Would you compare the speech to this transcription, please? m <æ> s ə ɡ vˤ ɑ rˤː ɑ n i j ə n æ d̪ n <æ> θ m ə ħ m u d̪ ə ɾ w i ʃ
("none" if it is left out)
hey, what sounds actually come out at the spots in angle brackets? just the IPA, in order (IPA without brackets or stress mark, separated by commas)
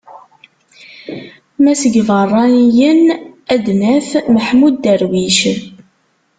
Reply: æ, æ